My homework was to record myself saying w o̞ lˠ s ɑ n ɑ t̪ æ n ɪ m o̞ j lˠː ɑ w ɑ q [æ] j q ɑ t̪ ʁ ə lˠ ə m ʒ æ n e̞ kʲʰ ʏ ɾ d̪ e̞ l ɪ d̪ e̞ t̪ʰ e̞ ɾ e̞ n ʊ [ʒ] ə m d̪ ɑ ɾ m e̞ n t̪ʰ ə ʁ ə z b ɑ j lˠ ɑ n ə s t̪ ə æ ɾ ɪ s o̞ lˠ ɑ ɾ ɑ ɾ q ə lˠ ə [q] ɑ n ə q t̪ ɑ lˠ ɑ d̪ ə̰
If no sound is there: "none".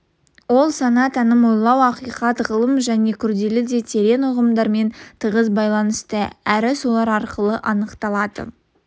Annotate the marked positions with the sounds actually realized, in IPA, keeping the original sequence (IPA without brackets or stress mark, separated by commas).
i, ʁ, ʔ